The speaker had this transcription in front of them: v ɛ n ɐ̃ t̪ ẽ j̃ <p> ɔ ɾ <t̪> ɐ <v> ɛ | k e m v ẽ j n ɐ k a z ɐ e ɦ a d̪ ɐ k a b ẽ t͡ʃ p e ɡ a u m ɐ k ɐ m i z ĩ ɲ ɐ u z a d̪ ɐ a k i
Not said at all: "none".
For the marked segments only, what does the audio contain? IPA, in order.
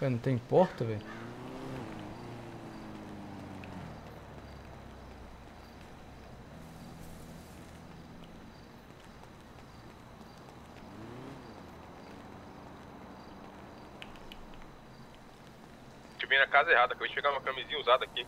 p, t̪, v

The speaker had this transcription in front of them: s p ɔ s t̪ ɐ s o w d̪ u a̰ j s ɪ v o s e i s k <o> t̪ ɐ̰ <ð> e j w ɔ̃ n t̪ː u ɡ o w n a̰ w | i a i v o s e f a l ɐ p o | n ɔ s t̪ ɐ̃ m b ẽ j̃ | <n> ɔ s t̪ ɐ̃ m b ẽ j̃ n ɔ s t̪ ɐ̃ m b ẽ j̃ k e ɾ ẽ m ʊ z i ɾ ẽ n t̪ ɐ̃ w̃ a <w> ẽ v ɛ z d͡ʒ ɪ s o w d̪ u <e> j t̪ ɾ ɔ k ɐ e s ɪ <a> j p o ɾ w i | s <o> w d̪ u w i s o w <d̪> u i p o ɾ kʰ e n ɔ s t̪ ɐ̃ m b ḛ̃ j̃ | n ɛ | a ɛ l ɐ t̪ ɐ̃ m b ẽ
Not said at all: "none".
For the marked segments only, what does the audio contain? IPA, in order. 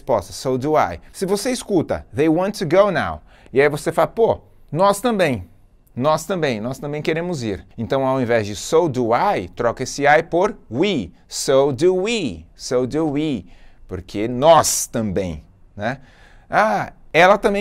u, ð, n, w, a, a, o, d̪

